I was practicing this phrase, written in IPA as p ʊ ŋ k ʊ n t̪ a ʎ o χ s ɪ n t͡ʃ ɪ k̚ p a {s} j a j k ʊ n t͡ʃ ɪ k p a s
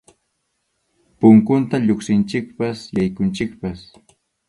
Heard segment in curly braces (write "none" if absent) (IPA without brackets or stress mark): s